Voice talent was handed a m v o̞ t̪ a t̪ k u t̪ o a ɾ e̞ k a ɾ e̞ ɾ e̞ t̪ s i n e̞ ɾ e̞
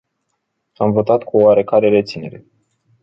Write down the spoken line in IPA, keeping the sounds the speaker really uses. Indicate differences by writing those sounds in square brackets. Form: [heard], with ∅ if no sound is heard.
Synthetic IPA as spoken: a m v o̞ t̪ a t̪ k u [∅] o a ɾ e̞ k a ɾ e̞ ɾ e̞ t̪ s i n e̞ ɾ e̞